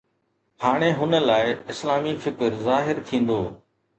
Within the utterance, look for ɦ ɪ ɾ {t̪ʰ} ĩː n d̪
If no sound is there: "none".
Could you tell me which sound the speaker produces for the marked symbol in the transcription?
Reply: t̪ʰ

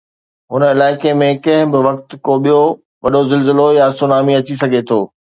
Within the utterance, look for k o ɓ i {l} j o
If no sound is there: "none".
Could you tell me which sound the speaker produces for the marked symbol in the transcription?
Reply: none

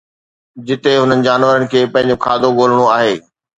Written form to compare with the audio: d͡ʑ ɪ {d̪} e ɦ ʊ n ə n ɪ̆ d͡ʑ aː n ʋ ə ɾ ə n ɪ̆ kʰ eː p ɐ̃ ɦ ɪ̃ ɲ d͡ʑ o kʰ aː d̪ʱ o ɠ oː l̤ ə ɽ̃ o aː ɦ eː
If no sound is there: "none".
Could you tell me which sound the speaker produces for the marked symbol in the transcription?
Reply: t̪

